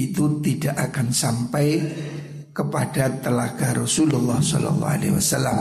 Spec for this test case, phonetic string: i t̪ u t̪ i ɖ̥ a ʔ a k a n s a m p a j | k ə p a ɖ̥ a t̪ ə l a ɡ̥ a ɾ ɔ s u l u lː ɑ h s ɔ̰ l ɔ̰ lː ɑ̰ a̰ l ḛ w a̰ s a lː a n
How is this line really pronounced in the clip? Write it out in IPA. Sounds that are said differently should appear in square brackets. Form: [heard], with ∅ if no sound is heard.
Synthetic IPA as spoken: i t̪ u t̪ i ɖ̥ a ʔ a k a n s a m p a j | k ə p a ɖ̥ a t̪ ə l a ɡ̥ a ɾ ɔ s u l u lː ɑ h s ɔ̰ l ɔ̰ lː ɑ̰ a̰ l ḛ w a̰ s a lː a [m]